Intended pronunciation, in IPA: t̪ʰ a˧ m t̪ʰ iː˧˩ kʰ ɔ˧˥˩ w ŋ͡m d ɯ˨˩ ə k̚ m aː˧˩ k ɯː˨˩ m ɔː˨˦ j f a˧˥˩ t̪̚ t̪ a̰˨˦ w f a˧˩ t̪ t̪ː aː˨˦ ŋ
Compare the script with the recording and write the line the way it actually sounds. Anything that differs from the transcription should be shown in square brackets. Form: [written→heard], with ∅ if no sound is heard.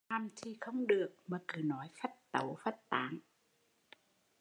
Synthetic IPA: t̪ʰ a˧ m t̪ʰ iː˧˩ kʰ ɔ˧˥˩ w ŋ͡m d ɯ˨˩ ə k̚ m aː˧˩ k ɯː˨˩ [m→n] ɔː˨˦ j f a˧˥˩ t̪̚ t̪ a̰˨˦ w f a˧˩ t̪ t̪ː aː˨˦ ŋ